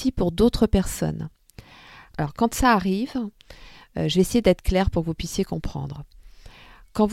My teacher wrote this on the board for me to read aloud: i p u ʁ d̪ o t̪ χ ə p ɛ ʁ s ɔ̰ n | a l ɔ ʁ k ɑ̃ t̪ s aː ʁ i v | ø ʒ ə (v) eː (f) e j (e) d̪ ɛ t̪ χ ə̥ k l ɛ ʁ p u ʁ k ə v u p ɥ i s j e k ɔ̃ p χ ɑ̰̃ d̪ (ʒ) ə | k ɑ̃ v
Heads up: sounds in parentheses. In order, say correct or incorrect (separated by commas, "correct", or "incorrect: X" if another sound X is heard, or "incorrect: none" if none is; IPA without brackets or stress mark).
correct, incorrect: s, correct, incorrect: ʁ